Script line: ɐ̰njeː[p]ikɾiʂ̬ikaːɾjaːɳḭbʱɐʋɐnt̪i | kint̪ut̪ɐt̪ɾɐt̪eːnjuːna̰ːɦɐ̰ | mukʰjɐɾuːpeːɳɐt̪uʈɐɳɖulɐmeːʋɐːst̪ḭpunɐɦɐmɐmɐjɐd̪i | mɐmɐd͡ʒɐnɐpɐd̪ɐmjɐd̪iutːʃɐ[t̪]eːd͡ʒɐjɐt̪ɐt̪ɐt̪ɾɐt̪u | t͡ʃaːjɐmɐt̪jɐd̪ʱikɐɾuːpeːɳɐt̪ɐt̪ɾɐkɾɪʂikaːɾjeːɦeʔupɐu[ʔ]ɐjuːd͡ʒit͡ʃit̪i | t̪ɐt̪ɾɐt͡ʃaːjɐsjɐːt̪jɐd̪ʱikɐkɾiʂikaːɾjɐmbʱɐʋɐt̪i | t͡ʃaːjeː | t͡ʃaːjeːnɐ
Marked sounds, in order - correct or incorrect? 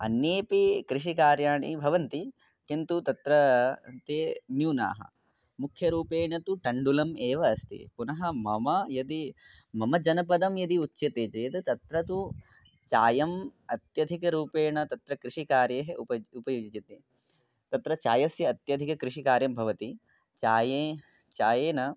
correct, correct, incorrect

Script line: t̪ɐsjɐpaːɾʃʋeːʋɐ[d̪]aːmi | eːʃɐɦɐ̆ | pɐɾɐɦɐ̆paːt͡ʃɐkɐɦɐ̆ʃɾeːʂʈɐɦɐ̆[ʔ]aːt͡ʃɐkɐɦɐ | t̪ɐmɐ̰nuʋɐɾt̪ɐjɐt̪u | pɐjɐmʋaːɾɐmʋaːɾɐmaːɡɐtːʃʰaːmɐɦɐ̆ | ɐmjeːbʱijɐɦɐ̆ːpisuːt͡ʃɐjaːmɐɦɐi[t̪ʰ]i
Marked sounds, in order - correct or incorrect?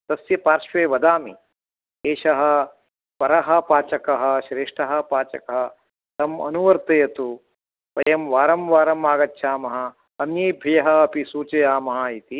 correct, incorrect, incorrect

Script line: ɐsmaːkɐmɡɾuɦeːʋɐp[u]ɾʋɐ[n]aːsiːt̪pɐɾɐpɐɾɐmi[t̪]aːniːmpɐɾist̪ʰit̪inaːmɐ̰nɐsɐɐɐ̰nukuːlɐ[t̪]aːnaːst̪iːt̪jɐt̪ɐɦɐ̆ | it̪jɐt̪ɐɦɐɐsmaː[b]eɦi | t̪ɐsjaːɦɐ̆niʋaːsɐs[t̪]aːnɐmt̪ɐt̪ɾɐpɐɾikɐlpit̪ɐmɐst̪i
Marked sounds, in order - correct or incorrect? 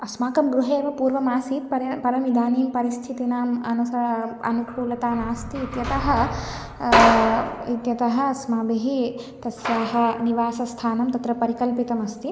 incorrect, incorrect, incorrect, correct, correct, incorrect

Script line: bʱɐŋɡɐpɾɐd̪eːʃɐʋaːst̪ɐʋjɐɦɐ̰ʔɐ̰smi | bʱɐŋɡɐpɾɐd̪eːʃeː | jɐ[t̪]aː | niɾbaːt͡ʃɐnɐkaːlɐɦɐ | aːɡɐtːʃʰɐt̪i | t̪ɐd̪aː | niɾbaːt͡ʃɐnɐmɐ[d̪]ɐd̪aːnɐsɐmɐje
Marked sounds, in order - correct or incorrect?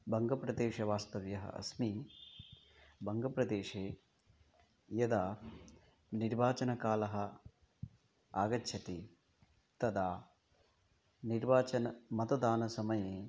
incorrect, incorrect

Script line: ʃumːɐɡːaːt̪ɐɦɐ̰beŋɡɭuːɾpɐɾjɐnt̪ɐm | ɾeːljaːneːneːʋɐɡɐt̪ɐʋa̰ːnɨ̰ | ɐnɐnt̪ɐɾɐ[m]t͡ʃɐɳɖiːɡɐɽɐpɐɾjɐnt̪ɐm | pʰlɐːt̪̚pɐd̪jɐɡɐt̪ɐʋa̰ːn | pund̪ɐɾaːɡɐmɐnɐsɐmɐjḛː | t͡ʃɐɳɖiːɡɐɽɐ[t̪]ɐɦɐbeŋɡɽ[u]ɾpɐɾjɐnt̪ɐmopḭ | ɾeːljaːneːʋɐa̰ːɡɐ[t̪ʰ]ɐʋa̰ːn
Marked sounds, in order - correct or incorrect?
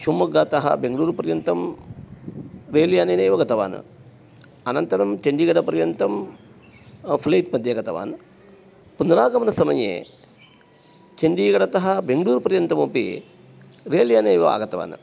correct, correct, incorrect, incorrect

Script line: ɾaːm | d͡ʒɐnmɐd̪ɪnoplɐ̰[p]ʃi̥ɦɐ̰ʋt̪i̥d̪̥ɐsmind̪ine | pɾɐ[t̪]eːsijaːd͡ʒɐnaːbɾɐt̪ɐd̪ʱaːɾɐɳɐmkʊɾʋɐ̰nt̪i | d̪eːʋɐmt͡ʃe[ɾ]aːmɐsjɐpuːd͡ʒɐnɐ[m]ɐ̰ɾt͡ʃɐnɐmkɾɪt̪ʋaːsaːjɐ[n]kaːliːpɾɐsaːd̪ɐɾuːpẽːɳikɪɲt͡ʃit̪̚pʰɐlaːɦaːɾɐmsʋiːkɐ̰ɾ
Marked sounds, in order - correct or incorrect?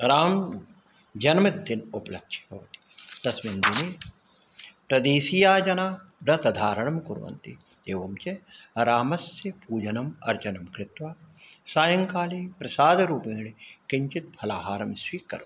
incorrect, incorrect, correct, correct, incorrect

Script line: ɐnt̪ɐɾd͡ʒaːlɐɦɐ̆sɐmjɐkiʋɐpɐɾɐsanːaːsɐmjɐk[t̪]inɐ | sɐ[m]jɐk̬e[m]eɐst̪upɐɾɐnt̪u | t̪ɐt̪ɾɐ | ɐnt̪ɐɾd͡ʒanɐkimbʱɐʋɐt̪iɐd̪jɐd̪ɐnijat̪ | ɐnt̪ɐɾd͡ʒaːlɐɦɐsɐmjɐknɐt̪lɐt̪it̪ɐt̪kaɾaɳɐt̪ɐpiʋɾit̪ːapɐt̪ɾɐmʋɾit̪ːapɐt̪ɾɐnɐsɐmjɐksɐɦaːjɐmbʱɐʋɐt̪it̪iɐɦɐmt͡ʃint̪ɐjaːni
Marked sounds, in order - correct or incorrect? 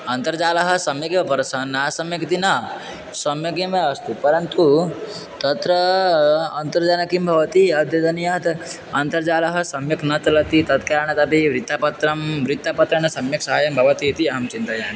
correct, correct, correct

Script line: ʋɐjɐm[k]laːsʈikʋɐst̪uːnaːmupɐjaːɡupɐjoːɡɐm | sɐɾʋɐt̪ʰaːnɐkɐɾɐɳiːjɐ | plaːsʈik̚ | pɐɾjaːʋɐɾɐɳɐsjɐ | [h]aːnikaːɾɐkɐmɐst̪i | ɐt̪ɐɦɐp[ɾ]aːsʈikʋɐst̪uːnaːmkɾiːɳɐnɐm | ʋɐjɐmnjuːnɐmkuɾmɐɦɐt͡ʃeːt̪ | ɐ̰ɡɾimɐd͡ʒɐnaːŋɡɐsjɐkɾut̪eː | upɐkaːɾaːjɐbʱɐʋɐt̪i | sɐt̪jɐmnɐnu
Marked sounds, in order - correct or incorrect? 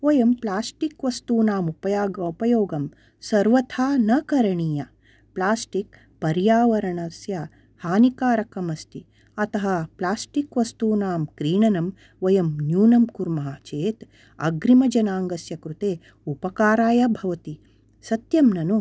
incorrect, correct, incorrect

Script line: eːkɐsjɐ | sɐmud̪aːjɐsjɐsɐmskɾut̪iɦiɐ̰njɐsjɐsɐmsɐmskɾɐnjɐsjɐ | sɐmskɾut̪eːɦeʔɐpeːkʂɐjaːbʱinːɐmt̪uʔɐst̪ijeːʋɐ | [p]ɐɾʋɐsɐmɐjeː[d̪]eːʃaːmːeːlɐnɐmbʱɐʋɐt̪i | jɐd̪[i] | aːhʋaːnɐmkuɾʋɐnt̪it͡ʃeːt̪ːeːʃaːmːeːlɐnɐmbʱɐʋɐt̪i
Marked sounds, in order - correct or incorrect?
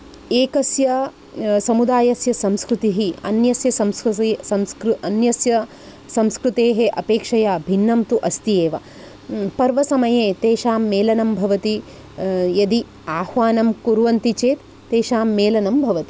correct, incorrect, correct

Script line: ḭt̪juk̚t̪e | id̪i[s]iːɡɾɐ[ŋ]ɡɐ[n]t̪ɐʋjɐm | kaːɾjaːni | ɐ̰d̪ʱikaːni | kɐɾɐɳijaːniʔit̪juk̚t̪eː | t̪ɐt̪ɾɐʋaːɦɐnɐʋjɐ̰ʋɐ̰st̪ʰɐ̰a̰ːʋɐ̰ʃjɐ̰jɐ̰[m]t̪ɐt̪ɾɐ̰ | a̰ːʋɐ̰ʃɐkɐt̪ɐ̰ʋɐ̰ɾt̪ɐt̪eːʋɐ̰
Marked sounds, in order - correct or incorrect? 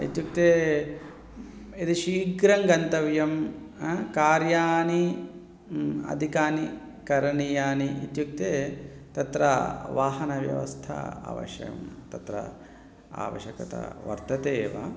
incorrect, correct, correct, correct

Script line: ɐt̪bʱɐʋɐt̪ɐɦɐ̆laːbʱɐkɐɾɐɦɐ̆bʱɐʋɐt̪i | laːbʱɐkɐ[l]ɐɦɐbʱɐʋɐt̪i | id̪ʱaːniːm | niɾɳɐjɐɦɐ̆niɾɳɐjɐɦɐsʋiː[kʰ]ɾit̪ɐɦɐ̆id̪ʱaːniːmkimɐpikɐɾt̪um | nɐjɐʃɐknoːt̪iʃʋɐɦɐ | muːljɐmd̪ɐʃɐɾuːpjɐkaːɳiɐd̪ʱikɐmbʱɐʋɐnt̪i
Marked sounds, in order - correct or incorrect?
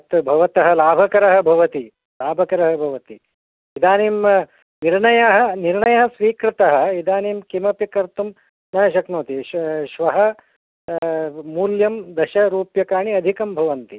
incorrect, incorrect

